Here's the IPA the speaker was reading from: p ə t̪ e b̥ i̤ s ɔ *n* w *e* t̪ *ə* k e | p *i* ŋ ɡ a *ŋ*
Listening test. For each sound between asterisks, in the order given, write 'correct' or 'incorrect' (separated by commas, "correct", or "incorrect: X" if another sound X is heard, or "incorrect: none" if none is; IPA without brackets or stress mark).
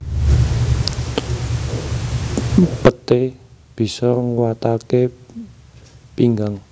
incorrect: ŋ, incorrect: a, incorrect: a, correct, correct